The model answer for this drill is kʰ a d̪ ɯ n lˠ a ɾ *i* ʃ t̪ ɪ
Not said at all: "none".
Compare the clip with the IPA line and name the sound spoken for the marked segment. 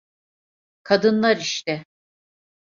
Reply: i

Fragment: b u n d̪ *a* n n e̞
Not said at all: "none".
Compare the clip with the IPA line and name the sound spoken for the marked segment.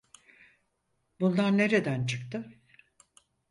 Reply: a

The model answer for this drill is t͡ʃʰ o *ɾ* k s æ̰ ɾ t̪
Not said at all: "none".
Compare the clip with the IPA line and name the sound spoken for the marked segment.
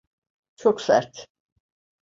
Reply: none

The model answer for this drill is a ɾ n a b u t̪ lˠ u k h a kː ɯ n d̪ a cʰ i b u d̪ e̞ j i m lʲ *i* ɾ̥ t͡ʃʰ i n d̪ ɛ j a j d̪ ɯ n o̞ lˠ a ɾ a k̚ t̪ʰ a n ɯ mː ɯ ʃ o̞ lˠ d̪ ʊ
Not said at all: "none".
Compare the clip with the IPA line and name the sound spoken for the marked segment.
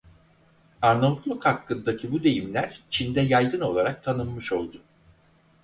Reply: æ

